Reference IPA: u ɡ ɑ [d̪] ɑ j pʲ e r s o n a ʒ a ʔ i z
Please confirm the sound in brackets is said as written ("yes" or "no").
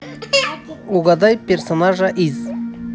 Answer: yes